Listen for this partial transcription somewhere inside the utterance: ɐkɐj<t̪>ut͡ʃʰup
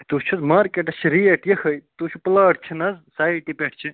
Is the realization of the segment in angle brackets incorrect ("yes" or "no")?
no